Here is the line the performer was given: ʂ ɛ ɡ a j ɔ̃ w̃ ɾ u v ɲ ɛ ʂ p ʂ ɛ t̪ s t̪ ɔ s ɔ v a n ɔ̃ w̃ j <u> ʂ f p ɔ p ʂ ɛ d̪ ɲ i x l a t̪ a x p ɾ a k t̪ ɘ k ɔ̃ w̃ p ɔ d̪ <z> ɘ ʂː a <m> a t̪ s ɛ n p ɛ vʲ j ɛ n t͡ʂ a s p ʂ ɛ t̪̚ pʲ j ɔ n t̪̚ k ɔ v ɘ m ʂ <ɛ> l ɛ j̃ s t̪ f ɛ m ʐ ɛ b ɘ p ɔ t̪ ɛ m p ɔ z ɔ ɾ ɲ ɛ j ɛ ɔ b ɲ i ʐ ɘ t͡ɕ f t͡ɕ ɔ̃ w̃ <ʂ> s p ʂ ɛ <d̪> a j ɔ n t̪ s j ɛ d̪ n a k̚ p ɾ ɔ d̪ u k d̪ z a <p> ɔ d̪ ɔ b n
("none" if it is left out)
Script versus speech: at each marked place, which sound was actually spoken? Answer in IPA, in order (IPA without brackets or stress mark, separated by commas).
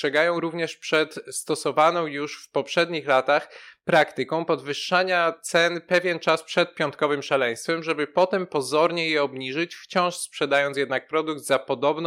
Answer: u, v, ɲ, a, ʂ, d̪, p